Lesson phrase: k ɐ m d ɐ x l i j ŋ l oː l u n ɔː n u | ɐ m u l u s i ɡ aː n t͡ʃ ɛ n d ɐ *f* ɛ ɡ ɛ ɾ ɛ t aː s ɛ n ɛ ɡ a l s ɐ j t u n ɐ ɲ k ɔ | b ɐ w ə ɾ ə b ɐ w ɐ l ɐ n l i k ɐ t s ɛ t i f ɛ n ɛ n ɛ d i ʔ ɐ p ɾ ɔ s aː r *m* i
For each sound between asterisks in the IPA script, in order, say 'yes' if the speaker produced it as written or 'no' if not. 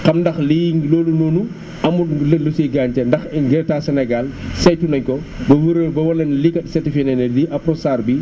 no, no

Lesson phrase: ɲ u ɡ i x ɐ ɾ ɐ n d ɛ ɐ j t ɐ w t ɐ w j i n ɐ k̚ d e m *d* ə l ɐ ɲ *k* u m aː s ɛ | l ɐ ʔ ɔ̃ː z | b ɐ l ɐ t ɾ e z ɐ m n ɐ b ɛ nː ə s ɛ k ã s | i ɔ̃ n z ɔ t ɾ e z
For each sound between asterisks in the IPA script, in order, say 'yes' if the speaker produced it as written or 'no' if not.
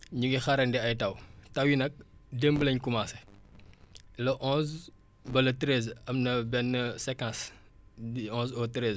no, yes

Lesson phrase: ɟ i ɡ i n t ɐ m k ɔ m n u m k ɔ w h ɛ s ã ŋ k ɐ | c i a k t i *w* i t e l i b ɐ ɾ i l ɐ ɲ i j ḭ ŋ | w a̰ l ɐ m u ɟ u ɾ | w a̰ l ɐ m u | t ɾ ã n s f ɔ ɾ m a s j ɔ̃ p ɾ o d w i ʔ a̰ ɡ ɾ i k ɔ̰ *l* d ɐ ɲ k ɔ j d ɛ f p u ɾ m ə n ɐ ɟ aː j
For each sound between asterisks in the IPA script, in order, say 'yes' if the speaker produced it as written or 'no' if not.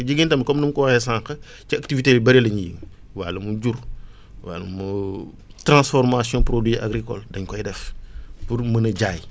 no, yes

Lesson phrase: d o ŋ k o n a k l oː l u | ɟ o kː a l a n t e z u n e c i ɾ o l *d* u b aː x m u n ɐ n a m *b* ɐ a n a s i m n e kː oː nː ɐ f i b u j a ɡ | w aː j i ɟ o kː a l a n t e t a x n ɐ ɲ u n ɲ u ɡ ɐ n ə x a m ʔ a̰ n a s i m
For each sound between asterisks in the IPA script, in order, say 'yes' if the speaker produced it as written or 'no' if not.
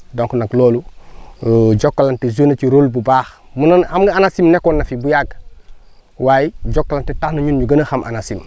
no, no

